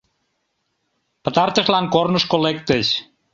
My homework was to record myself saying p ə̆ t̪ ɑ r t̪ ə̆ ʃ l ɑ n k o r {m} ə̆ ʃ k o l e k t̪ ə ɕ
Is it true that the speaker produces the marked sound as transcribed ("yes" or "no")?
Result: no